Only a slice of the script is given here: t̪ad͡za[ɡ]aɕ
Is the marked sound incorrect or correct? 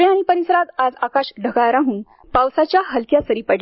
incorrect